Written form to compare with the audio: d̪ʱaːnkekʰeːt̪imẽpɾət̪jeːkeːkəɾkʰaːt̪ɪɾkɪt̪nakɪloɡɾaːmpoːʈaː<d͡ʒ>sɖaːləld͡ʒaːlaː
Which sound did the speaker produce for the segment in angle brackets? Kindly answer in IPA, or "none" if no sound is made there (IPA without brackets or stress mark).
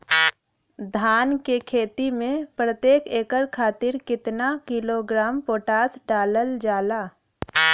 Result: none